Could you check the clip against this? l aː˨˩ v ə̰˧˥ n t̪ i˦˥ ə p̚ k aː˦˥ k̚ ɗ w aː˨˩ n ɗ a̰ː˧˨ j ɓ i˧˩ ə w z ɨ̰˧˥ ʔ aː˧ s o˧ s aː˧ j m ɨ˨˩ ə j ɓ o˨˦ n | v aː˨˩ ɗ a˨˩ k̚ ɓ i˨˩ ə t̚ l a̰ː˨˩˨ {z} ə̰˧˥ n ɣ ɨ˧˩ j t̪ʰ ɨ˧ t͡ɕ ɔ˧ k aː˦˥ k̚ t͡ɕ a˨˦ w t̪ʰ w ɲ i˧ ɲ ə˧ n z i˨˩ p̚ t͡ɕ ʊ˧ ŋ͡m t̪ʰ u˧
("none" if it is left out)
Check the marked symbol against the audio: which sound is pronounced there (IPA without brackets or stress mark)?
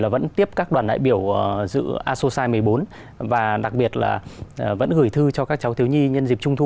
v